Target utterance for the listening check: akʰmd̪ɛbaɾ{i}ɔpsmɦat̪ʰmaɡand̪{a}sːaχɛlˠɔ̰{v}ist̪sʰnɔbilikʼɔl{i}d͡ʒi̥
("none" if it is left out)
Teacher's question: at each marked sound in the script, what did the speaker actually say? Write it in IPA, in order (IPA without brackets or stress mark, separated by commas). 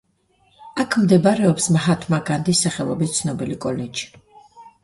ɛ, i, b, ɛ